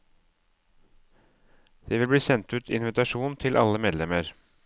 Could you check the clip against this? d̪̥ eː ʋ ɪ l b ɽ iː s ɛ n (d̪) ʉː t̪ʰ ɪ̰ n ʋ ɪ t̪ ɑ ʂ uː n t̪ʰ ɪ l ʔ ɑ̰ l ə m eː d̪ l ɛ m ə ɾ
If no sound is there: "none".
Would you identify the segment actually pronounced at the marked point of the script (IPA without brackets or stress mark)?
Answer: t̪